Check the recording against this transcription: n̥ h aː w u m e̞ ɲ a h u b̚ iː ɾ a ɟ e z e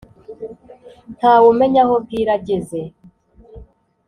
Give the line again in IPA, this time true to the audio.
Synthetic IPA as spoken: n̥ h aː w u m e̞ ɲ a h o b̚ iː ɾ a ɟ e z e